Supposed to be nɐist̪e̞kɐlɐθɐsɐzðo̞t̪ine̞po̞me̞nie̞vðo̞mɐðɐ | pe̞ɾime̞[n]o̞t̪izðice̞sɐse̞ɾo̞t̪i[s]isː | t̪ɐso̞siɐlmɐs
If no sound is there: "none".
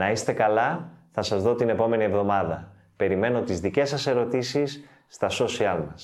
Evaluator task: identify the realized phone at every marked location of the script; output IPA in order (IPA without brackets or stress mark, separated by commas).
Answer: n, s